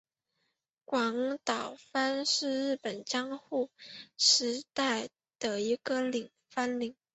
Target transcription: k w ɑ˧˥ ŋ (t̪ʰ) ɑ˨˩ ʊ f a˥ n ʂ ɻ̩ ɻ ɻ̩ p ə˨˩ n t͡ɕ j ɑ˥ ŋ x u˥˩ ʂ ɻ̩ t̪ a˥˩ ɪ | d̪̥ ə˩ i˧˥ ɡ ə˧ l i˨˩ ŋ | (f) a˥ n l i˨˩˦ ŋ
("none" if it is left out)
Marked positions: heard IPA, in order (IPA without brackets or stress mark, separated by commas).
t̪, f